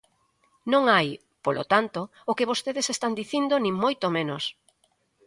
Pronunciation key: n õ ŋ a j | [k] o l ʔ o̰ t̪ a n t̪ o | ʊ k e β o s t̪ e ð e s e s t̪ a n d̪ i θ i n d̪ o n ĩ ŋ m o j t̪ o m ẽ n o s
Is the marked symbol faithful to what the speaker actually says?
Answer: no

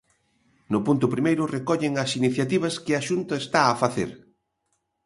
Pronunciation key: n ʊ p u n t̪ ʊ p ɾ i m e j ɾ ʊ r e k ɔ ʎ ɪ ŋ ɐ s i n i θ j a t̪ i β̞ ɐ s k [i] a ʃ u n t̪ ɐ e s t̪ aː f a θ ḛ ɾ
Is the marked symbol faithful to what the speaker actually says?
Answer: no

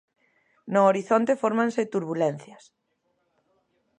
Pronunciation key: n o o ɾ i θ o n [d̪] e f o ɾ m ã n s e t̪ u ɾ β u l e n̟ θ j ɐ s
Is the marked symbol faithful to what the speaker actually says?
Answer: no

